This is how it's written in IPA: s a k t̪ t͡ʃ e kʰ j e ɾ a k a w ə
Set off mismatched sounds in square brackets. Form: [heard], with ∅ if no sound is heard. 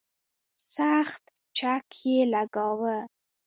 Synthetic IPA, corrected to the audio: s a [x] t̪ t͡ʃ [a] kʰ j e [l] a [ɡ] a w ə